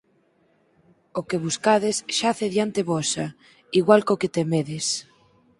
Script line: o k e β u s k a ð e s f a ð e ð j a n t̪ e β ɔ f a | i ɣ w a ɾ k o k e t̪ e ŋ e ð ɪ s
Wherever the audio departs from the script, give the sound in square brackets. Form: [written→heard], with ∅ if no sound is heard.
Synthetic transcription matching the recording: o k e β u s k a ð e s [f→ʃ] a [ð→θ] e ð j a n t̪ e β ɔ [f→s] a | i ɣ w a [ɾ→l] k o k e t̪ e [ŋ→m] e ð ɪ s